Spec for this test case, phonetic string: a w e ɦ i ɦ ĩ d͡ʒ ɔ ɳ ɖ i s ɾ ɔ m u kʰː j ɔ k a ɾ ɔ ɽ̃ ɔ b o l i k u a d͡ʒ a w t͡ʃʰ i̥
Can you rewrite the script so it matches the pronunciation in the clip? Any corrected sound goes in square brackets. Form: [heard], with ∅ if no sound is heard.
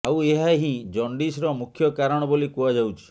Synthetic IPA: a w e ɦ [a] ɦ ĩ d͡ʒ ɔ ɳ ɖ i s ɾ ɔ m u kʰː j ɔ k a ɾ ɔ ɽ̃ ɔ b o l i k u a d͡ʒ a w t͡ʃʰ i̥